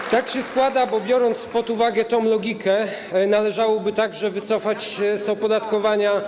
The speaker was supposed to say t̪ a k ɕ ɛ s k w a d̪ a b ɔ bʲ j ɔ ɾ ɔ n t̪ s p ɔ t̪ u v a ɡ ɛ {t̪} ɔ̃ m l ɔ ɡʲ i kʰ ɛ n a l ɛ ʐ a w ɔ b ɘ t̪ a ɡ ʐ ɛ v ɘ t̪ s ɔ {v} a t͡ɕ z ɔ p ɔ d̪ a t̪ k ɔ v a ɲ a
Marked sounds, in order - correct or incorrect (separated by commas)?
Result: correct, incorrect